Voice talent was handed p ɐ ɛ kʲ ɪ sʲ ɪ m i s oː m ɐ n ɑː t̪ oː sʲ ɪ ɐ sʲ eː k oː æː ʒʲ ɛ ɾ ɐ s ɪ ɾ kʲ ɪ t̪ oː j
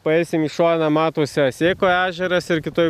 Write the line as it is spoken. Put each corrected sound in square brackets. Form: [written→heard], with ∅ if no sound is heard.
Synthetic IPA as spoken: p ɐ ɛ [kʲ→∅] ɪ sʲ ɪ m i [s→ʃ] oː [m→n] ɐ [n→m] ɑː t̪ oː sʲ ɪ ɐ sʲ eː k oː æː ʒʲ ɛ ɾ ɐ s ɪ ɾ kʲ ɪ t̪ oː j